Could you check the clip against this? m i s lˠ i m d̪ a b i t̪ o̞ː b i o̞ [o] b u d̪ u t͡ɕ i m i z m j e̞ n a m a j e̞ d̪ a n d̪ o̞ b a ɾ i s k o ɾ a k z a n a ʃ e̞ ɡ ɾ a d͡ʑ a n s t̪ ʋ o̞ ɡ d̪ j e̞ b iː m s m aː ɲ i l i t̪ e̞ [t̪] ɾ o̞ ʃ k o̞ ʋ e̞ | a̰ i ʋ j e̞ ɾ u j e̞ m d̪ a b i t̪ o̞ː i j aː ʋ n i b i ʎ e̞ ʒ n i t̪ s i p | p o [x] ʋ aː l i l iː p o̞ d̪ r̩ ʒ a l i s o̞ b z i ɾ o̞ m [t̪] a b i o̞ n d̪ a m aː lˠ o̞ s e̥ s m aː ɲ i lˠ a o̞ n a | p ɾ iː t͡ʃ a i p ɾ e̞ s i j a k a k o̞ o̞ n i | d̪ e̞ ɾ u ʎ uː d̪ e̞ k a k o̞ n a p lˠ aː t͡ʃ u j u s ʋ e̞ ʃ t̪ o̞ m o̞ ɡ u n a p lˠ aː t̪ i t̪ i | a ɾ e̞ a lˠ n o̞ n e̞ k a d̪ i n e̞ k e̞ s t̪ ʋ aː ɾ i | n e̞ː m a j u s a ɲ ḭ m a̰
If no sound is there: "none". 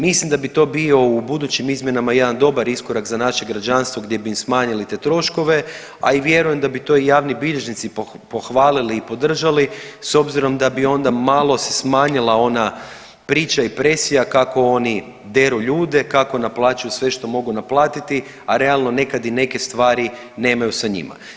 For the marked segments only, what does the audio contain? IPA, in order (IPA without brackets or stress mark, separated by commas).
u, t̪, x, d̪